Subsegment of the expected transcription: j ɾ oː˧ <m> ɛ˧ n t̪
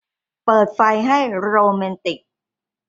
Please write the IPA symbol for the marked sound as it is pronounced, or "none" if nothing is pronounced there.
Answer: m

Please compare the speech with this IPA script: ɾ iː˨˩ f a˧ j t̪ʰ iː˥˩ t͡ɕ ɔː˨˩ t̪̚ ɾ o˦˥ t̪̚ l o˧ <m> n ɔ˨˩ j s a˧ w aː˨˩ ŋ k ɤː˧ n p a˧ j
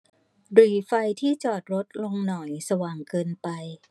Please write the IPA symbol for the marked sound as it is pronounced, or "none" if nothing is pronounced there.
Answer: ŋ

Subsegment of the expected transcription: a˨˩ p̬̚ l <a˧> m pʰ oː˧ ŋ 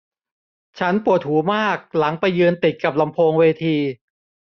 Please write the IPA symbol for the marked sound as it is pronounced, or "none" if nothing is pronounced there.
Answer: a˧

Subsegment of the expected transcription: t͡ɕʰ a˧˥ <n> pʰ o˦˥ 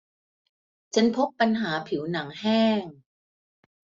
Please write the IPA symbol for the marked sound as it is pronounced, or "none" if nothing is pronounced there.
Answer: n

